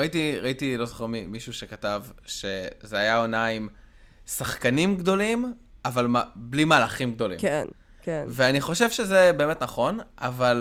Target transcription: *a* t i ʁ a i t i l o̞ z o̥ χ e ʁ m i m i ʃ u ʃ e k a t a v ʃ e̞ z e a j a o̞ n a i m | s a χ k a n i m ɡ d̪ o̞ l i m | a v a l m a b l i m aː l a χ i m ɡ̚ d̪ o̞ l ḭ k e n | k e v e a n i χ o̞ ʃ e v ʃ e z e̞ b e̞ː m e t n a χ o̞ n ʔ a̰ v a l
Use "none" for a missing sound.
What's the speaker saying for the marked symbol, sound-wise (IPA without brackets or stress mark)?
i